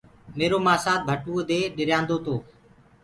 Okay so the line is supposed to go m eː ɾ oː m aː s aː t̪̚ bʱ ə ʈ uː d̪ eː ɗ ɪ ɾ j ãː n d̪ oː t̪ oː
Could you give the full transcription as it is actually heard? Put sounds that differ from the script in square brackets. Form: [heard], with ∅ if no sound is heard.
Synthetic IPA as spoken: m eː ɾ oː m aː s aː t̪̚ bʱ ə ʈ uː d̪ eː ɗ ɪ ɾ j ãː n d̪ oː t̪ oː